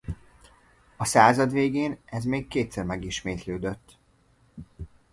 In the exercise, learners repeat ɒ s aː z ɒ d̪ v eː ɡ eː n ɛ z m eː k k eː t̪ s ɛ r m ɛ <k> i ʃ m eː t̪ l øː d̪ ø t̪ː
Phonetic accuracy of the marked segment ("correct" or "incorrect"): incorrect